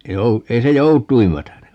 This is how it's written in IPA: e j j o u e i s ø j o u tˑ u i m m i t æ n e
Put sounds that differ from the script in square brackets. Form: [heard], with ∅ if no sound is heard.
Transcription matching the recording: e [i] j o u e i s [e] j o u tˑ u i m m [æ] t æ n e

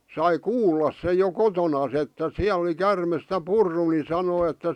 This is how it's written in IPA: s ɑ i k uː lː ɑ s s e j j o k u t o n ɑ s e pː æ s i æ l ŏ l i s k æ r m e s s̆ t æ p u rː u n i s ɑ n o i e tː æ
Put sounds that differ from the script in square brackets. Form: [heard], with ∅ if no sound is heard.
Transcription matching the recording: s ɑ i k uː lː ɑ s s e j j o k [o] t o n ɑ s e [tː] æ s i æ l ŏ l i [∅] k æ r m e s s̆ t æ p u rː u n i s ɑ n o i e tː æ

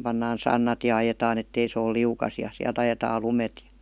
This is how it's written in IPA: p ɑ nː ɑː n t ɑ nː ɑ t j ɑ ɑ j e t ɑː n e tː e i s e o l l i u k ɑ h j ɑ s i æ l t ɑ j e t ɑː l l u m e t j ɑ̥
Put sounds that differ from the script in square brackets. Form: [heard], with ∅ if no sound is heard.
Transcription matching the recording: p ɑ nː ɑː n [s] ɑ nː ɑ t j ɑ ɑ j e t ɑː n e tː e i s e o l l i u k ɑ [s] j ɑ s i æ l t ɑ j e t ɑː l l u m e t j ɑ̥

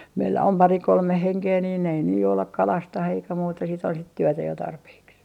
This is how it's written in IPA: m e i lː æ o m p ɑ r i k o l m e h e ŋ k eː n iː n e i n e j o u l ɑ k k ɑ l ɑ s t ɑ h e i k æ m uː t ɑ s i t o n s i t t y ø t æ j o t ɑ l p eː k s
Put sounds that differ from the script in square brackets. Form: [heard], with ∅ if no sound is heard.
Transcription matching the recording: m e i lː æ o m p ɑ r i k o l m e h e ŋ k eː n iː n e i n e j o u l ɑ k k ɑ l ɑ s t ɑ h e i k æ m uː t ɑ s i t o n s i t t y ø t æ j o t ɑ [r] p eː k s

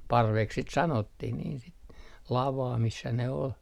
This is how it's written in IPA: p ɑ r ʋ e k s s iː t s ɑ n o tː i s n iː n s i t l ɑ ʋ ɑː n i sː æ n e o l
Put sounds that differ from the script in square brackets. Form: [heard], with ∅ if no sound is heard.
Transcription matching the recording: p ɑ r ʋ e k s s [i] t s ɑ n o tː i [h] n iː n s i t l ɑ ʋ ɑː [m] i sː æ n e o l

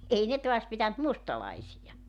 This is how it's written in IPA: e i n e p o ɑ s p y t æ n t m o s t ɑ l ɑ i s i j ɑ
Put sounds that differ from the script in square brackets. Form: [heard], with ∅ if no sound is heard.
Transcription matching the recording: e i n e [t] o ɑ s p [i] t æ n t m [u] s t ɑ l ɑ i s i j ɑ

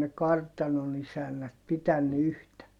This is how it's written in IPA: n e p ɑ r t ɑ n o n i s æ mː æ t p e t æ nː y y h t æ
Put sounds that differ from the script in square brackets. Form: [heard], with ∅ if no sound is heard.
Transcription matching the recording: n e [k] ɑ r t ɑ n o n i s æ [nː] æ t p [i] t æ nː y y h t æ

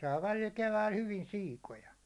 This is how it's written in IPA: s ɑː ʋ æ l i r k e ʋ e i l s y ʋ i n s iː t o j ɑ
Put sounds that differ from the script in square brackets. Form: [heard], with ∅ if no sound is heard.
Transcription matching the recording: s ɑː ʋ æ l i [l] k e ʋ [æ] i l [h] y ʋ i n s iː [k] o j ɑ

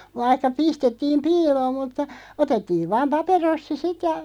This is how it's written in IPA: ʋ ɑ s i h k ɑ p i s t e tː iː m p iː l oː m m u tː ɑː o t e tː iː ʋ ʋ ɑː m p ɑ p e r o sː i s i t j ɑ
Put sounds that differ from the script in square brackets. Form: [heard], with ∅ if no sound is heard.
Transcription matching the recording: ʋ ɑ [∅] i h k ɑ p i s t e tː iː m p iː l oː m m u tː [ɑ] o t e tː iː ʋ ʋ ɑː m p ɑ p e r o sː i s i t j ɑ

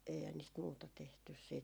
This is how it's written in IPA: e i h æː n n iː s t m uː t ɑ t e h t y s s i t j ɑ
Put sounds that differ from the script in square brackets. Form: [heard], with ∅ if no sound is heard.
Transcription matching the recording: e i h [æ] n n iː s t m uː t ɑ t e h t y s s [iː] t j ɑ

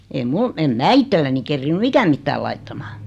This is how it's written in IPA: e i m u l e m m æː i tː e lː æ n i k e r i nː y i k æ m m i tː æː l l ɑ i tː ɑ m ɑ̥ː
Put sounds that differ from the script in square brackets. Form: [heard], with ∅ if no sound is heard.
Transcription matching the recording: e i m u l e m m æː i tː e lː æ n i k e [rː] i nː y i k æ m m i tː æː l l ɑ i tː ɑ m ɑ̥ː

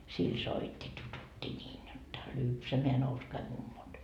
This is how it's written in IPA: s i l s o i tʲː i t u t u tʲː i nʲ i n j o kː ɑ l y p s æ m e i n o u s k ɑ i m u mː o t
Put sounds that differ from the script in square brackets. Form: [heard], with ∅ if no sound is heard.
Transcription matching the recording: s i l s o i tʲː i t u t u tʲː i nʲ [iː] n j o [tː] ɑ l y p s æ m e [æ] n o u s k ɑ i m u mː o t

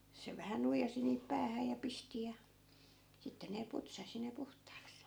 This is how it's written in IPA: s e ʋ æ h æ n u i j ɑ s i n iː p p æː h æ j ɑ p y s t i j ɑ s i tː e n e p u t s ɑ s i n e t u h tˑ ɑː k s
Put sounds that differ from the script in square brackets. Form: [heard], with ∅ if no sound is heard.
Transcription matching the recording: s e ʋ æ h æ n u i j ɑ s i n iː p p æː h æ j ɑ p [i] s t i j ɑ s i tː e n e p u t s ɑ s i n e [p] u h tˑ ɑː k s

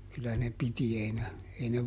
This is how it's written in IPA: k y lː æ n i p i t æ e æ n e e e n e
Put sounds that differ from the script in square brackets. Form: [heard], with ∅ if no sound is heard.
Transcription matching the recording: k y lː æ n [e] p i t [i] e [i] n e e [i] n e

